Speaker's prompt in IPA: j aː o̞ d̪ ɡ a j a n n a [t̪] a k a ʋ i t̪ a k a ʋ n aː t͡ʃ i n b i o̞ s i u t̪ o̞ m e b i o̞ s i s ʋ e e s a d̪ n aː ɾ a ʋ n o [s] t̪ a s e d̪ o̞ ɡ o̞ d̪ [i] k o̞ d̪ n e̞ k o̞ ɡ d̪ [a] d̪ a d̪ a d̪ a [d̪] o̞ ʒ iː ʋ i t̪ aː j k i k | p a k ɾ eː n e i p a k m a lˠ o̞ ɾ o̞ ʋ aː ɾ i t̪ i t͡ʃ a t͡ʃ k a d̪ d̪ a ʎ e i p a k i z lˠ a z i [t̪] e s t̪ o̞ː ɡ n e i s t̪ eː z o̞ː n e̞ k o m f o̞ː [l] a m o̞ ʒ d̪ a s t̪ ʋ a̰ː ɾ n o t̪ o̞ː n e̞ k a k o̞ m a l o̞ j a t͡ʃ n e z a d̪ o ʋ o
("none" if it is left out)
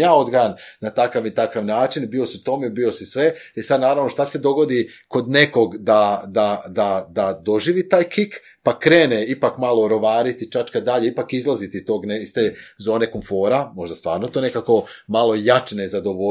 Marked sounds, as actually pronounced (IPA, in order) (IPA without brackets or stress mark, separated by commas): t̪, ʃ, i, a, d̪, t̪, ɾ